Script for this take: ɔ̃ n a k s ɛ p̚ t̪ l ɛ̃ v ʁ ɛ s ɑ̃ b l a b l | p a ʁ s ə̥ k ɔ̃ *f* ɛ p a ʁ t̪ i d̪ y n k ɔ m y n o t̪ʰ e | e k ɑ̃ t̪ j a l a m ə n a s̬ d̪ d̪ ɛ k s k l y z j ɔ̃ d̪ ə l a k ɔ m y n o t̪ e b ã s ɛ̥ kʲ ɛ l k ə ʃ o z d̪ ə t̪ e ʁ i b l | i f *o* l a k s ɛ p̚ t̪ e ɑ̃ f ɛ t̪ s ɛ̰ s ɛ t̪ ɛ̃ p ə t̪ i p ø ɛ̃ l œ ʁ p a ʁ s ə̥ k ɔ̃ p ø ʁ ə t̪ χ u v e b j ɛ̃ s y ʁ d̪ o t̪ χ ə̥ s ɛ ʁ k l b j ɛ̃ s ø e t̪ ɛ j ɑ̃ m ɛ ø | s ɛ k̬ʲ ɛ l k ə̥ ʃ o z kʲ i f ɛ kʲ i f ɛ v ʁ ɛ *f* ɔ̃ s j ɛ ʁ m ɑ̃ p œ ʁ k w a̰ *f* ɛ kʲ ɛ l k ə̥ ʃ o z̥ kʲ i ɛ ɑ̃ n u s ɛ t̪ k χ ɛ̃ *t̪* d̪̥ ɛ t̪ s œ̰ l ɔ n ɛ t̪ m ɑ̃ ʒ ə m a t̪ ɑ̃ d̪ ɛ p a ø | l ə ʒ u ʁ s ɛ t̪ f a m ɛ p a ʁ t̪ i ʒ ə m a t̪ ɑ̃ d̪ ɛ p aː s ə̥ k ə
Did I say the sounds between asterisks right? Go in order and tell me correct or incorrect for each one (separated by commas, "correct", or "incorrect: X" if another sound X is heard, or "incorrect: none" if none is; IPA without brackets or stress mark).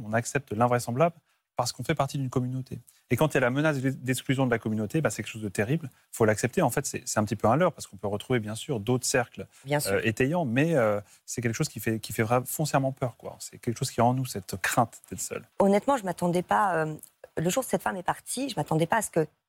correct, correct, correct, incorrect: s, correct